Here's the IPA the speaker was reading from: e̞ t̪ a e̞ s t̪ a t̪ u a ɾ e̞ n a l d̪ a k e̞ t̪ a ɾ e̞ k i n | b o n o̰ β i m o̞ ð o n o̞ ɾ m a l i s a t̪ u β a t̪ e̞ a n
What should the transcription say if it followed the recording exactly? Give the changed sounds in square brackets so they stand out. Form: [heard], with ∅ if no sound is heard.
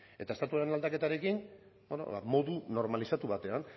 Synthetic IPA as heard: e̞ t̪ a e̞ s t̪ a t̪ u a ɾ e̞ n a l d̪ a k e̞ t̪ a ɾ e̞ k i n | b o n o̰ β [a] m o̞ ð [u] n o̞ ɾ m a l i s a t̪ u β a t̪ e̞ a n

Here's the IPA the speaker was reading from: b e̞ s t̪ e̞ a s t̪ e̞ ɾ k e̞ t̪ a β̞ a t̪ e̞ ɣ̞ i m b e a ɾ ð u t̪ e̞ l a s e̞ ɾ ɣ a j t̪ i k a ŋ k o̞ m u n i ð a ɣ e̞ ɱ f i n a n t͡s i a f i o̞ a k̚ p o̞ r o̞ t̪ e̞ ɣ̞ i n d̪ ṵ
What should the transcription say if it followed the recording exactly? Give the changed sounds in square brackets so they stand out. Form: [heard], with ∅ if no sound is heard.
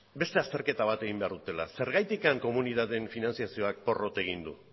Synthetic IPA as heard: b e̞ s t̪ e̞ a s t̪ e̞ ɾ k e̞ t̪ a β̞ a t̪ e̞ ɣ̞ i m b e a ɾ ð u t̪ e̞ l a s e̞ ɾ ɣ a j t̪ i k a ŋ k o̞ m u n i ð a [ð] e̞ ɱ f i n a n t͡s i a [s] i o̞ a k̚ p o̞ r o̞ t̪ e̞ ɣ̞ i n d̪ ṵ

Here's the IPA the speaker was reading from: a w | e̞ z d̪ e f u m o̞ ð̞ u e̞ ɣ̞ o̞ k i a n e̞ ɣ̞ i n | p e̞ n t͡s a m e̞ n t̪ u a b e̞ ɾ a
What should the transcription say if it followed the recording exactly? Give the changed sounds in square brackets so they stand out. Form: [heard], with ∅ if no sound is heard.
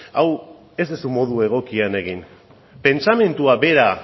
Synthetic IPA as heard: a w | e̞ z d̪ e [s] u m o̞ ð̞ u e̞ ɣ̞ o̞ k i a n e̞ ɣ̞ i n | p e̞ n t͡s a m e̞ n t̪ u a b e̞ ɾ a

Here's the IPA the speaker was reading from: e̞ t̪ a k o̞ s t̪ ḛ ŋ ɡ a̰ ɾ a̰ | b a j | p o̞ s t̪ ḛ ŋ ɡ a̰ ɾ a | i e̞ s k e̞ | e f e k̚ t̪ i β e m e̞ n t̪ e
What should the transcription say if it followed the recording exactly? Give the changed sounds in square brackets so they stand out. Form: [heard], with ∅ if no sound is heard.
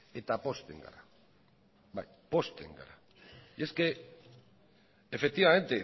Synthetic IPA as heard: e̞ t̪ a [p] o̞ s t̪ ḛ ŋ ɡ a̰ ɾ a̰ | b a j | p o̞ s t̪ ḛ ŋ ɡ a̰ ɾ a | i e̞ s k e̞ | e f e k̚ t̪ i β [a] m e̞ n t̪ e

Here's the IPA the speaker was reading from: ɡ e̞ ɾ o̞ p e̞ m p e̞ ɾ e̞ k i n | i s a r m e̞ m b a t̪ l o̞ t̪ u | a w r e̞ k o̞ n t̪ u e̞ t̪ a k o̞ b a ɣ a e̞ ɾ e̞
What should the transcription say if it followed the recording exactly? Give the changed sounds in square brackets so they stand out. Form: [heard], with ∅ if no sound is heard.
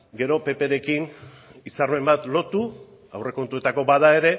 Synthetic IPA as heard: ɡ e̞ ɾ o̞ p e̞ [∅] p e̞ ɾ e̞ k i n | i s a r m e̞ m b a t̪ l o̞ t̪ u | a w r e̞ k o̞ n t̪ u e̞ t̪ a k o̞ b a [ð] a e̞ ɾ e̞

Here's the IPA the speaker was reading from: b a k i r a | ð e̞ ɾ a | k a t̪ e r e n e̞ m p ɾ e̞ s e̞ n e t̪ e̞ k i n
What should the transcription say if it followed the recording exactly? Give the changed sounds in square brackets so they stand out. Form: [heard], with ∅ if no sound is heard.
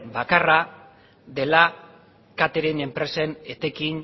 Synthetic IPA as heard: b a k [a] r a | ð e̞ [l] a | k a t̪ e [ɾ] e n e̞ m p ɾ e̞ s e̞ n e t̪ e̞ k i n

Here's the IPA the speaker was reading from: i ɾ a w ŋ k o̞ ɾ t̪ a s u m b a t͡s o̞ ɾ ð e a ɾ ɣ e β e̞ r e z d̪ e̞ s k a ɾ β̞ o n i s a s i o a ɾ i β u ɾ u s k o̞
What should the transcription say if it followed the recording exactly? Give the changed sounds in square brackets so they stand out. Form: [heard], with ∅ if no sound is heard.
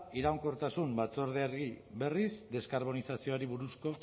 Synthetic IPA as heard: i ɾ a w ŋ k o̞ ɾ t̪ a s u m b a t͡s o̞ ɾ ð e a ɾ ɣ [i] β e̞ r [i] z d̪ e̞ s k a ɾ β̞ o n i s a s i o a ɾ i β u ɾ u s k o̞

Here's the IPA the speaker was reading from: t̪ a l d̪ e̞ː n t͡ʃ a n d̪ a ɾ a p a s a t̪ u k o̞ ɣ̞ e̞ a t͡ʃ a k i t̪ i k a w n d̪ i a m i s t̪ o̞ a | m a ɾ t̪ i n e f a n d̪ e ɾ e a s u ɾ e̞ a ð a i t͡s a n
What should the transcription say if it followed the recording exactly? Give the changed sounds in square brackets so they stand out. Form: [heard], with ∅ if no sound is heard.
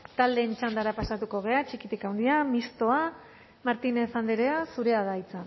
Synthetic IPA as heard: t̪ a l d̪ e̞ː n t͡ʃ a n d̪ a ɾ a p a s a t̪ u k o̞ ɣ̞ e̞ a t͡ʃ [i] k i t̪ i k a w n d̪ i a m i s t̪ o̞ a | m a ɾ t̪ i n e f a n d̪ e ɾ e a s u ɾ e̞ a ð a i t͡s a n

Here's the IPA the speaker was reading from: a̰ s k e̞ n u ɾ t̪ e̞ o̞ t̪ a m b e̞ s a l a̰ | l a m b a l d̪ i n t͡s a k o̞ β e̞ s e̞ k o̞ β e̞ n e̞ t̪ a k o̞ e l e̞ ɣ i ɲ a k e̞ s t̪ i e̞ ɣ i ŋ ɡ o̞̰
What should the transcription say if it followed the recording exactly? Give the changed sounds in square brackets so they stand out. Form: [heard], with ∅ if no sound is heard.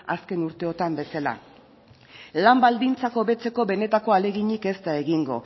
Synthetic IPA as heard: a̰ s k e̞ n u ɾ t̪ e̞ o̞ t̪ a m b e̞ s a l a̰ | l a m b a l d̪ i n t͡s a k o̞ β e̞ [t͡s] e̞ k o̞ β e̞ n e̞ t̪ a k o̞ [a] l e̞ ɣ i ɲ [i] k e̞ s t̪ [a] e̞ ɣ i ŋ ɡ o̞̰

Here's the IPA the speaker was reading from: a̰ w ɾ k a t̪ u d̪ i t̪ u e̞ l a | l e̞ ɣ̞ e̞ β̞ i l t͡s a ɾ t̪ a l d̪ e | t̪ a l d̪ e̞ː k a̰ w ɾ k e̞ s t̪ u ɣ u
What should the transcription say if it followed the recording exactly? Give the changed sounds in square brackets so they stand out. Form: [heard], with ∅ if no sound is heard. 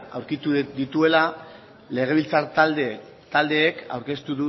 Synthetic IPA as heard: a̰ w ɾ k [i] t̪ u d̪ i t̪ u e̞ l a | l e̞ ɣ̞ e̞ β̞ i l t͡s a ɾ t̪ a l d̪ e | t̪ a l d̪ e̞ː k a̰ w ɾ k e̞ s t̪ u [ð] u

